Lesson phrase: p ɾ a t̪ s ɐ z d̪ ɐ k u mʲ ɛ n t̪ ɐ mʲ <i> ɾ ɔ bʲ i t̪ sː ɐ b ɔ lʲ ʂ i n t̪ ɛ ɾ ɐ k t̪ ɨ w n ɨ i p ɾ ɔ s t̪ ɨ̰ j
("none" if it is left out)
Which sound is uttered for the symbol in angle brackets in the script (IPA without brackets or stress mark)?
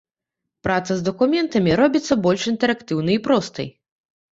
i